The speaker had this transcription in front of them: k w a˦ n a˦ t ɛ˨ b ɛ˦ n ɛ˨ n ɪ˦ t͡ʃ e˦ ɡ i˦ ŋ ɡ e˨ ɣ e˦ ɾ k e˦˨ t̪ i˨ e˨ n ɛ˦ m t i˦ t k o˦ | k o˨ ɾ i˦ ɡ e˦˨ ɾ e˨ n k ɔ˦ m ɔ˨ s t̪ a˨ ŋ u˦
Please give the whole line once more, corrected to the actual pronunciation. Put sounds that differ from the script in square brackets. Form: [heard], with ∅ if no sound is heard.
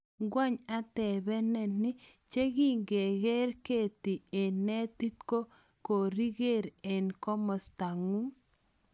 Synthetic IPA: [ɡ] w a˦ [ɲ] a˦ t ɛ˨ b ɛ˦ n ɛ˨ n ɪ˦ t͡ʃ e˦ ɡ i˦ ŋ ɡ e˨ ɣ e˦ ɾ k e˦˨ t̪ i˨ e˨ n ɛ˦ [∅] t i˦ t k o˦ | k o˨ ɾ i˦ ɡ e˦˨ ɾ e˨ n k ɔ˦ m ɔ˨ s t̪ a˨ ŋ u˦